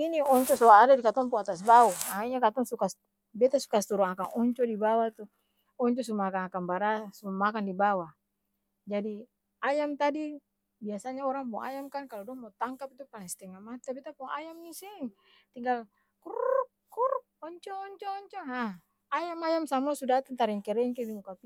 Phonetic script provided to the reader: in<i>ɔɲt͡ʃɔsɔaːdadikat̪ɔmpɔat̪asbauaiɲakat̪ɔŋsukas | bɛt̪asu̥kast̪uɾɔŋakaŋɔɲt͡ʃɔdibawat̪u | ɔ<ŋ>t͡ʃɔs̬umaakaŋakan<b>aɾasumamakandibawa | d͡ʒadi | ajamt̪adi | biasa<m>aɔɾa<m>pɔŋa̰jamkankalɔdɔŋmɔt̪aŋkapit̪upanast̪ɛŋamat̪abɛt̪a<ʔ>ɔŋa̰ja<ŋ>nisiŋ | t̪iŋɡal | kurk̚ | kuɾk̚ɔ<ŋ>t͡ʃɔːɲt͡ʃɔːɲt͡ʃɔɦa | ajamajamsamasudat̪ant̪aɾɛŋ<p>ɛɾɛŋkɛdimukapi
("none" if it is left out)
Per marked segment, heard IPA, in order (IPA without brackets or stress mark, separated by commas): i, ɲ, b, ɲ, ŋ, p, m, ɲ, k